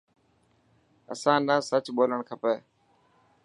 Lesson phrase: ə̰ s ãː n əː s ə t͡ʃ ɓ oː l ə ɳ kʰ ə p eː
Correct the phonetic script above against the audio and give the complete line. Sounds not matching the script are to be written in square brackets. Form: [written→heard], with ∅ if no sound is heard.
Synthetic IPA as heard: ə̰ s ãː n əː s ə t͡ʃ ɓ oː l ə ɳ kʰ ə p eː